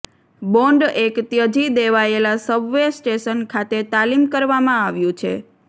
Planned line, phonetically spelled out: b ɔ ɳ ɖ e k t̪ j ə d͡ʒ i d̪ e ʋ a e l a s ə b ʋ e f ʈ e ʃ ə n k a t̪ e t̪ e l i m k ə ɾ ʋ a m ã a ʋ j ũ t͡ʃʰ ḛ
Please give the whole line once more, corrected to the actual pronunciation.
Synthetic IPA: b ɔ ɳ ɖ e k t̪ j ə d͡ʒ i d̪ e ʋ a e l a s ə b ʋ e s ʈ e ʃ ə n kʰ a t̪ e t̪ a l i m k ə ɾ ʋ a m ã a ʋ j ũ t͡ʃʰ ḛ